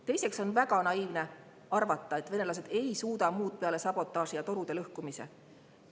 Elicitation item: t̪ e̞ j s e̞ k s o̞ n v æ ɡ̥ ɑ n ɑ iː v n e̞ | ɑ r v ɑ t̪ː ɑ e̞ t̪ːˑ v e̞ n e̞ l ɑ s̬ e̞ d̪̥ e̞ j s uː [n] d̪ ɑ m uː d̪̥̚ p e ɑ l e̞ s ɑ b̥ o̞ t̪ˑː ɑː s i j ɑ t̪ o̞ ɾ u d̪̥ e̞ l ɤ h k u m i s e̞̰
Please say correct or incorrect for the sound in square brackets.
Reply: incorrect